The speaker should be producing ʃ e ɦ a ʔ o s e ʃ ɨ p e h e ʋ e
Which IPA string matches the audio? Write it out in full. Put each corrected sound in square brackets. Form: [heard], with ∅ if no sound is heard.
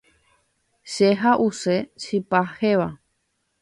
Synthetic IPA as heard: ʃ e ɦ a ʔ [u] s e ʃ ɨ p [a] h e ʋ [a]